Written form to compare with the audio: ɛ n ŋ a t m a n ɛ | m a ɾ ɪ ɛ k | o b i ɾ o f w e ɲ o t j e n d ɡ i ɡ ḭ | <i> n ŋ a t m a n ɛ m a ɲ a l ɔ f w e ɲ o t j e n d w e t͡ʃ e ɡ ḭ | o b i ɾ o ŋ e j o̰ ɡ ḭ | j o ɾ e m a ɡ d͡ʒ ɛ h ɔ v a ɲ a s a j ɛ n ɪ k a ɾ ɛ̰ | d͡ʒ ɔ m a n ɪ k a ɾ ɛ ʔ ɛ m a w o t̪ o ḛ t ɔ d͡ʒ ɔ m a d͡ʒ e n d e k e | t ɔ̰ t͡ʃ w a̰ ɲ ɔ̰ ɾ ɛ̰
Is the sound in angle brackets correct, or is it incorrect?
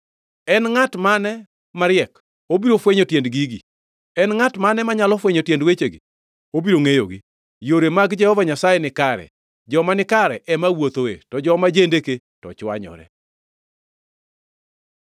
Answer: incorrect